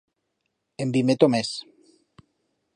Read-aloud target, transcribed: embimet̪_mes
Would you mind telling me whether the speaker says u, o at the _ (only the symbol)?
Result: o